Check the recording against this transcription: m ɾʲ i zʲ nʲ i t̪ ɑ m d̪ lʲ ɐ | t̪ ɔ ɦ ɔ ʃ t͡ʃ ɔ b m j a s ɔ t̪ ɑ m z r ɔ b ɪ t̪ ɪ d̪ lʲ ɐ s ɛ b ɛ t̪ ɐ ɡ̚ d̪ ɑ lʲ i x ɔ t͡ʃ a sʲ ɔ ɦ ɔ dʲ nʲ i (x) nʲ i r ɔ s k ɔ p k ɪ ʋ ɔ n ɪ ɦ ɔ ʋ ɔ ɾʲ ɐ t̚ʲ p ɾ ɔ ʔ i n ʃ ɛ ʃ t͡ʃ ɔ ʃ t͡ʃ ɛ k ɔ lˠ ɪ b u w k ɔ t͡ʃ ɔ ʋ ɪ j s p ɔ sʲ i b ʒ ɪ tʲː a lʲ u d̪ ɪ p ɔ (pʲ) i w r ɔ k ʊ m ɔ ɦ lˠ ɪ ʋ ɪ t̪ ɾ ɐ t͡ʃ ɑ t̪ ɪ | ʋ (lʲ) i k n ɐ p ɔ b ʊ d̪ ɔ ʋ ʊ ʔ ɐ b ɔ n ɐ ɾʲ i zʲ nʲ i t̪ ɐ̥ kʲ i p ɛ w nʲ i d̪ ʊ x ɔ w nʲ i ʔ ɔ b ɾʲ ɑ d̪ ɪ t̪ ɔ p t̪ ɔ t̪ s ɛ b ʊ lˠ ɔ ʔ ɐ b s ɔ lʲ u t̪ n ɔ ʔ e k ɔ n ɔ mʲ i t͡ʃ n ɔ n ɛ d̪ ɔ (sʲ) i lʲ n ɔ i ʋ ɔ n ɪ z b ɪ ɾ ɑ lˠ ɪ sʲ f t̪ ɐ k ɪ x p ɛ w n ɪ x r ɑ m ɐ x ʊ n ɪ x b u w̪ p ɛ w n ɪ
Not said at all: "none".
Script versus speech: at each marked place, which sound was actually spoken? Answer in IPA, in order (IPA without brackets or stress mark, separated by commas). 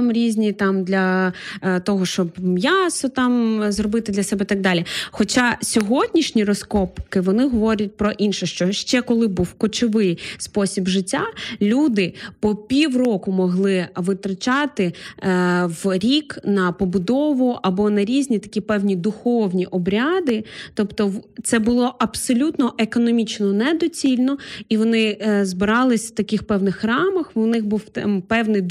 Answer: ʃ, pʲ, ɾʲ, t͡sʲ